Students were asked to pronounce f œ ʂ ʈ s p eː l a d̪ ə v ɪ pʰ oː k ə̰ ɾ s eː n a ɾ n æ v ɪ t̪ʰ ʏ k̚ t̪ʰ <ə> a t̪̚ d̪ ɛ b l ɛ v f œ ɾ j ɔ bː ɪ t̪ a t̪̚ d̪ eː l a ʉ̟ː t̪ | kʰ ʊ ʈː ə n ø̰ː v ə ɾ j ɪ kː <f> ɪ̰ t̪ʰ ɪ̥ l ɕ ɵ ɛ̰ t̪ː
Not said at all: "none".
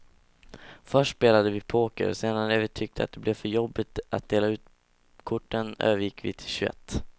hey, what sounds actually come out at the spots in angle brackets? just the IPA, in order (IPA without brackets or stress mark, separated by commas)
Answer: ə, v